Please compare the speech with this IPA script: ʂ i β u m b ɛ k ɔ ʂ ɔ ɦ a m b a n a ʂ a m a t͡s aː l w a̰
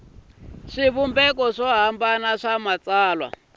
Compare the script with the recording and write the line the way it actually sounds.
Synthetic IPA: ʂ i β u m b ɛ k ɔ ʂ ɔ ɦ a m b a n a ʂ a m a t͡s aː l w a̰